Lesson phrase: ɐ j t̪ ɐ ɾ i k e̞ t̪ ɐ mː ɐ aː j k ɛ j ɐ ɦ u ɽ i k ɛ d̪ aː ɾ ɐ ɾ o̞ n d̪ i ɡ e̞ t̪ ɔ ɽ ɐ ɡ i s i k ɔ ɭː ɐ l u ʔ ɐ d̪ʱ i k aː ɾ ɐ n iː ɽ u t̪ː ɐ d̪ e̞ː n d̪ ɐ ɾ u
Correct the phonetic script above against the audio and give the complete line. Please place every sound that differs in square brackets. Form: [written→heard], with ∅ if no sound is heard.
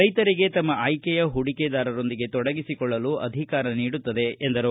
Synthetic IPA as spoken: ɐ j t̪ ɐ ɾ i [k→ɡ] e̞ t̪ ɐ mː ɐ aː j k ɛ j ɐ ɦ u ɽ i k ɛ d̪ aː ɾ ɐ ɾ o̞ n d̪ i ɡ e̞ t̪ ɔ ɽ ɐ ɡ i s i k ɔ ɭː ɐ l u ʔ ɐ d̪ʱ i k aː ɾ ɐ n iː ɽ u t̪ː ɐ d̪ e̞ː n d̪ ɐ ɾ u